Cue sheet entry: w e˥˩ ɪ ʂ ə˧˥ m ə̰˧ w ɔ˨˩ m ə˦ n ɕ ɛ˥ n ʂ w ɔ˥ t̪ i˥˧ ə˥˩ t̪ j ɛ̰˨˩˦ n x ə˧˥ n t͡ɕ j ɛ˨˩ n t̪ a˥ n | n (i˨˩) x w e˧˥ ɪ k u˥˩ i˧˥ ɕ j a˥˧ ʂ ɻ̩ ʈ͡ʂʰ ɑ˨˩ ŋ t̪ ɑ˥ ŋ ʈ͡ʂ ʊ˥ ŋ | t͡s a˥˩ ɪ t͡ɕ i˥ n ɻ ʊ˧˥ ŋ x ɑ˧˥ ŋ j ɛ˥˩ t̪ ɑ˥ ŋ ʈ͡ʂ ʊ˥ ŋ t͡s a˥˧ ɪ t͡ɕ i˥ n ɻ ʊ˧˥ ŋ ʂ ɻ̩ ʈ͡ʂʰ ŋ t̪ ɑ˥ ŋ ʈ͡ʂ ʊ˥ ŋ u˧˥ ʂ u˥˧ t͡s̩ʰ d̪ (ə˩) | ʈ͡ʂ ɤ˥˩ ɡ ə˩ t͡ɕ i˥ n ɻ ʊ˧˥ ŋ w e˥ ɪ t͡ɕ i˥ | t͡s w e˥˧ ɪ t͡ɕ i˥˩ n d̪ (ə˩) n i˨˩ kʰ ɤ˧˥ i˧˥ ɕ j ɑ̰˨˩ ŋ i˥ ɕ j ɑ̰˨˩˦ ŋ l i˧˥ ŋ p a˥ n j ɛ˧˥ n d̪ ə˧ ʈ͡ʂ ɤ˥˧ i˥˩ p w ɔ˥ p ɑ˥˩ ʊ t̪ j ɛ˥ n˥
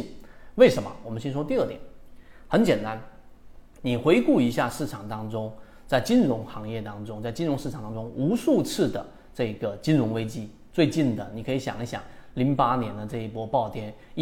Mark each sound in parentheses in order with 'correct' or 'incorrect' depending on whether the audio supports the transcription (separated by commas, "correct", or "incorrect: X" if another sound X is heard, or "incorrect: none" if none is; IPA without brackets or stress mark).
correct, correct, correct